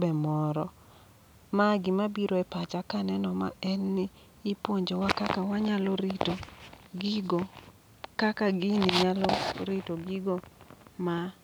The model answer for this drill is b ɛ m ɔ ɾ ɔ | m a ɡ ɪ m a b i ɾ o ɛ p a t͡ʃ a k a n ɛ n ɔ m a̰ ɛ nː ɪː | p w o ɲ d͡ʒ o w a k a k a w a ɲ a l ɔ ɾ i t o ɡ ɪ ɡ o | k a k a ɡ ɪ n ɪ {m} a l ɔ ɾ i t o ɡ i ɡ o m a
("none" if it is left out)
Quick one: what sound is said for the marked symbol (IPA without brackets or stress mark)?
ɲ